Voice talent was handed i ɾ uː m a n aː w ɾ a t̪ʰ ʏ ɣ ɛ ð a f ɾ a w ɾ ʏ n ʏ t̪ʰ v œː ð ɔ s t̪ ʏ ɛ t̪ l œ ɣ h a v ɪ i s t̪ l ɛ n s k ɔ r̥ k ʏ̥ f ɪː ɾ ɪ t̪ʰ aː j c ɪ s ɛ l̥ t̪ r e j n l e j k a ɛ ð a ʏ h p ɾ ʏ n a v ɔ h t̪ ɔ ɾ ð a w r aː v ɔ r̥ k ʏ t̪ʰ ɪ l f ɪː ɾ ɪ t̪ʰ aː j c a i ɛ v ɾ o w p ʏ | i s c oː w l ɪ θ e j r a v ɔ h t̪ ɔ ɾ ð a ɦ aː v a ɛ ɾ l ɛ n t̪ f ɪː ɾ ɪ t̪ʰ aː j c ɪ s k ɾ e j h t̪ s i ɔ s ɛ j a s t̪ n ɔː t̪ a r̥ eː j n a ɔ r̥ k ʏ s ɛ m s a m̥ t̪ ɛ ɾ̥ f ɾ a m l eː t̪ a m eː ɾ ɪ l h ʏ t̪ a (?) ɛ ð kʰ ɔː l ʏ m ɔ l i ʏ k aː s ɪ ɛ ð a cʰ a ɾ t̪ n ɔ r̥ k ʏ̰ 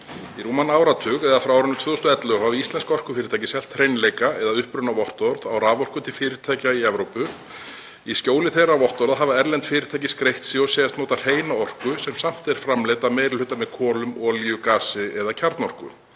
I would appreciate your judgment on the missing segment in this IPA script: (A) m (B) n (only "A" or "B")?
A